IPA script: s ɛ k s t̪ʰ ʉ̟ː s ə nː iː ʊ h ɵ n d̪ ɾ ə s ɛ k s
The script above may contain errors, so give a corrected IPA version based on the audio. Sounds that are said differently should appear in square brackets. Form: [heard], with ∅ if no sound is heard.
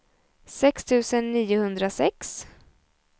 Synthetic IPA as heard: s ɛ k s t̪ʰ ʉ̟ː s ə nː iː ʊ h ɵ n d̪ ɾ [a] s ɛ k s